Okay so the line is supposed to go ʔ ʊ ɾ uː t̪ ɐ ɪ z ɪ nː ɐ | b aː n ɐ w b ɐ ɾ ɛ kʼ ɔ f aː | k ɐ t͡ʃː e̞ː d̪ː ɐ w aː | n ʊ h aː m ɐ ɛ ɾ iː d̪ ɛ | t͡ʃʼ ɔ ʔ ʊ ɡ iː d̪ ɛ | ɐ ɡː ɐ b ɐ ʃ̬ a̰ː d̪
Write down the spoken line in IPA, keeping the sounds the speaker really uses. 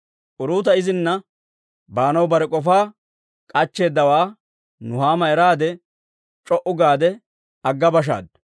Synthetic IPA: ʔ ʊ ɾ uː t̪ ɐ ɪ z ɪ nː ɐ | b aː n ɐ w b ɐ ɾ ɛ kʼ ɔ f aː | kʼ ɐ t͡ʃː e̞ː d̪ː ɐ w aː | n ʊ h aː m ɐ ɛ ɾ aː d̪ ɛ | t͡ʃʼ ɔ ʔ ʊ ɡ aː d̪ ɛ | ɐ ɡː ɐ b ɐ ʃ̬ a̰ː d̪